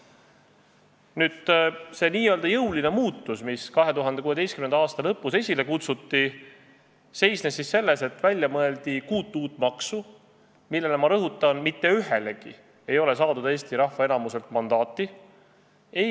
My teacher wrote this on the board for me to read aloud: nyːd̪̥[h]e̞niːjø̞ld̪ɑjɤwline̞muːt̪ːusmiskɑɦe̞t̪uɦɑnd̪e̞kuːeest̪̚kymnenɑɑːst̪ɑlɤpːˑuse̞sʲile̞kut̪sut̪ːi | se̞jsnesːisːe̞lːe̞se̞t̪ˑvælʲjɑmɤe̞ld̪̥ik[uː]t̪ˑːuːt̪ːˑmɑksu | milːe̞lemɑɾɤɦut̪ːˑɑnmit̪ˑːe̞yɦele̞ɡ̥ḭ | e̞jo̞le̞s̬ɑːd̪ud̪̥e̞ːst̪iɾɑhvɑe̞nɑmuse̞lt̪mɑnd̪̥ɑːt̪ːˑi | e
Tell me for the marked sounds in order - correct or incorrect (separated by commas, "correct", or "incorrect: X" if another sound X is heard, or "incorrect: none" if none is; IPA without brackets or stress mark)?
incorrect: s, correct